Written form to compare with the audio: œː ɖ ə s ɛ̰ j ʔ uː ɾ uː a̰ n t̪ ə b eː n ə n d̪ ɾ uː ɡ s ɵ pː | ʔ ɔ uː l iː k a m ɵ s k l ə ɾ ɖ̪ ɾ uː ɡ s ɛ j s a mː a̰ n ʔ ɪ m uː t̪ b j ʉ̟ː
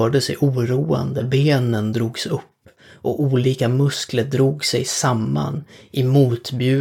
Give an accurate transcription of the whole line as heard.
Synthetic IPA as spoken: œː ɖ ə s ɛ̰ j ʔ uː ɾ uː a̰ n d̪ ə b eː n ə n d̪ ɾ uː ɡ s ɵ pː | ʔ ɔ uː l iː k a m ɵ s k l ə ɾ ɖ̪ ɾ uː ɡ s ɛ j s a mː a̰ n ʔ ɪ m uː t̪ b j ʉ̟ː